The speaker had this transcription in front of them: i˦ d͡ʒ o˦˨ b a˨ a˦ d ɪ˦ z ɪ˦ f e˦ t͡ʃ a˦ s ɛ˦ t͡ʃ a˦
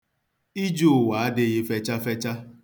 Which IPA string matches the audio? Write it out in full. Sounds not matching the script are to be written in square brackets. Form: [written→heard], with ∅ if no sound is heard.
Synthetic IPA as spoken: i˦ d͡ʒ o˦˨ [b→w] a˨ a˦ d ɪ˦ [z→ɣ] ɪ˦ f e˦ t͡ʃ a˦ [s→f] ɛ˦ t͡ʃ a˦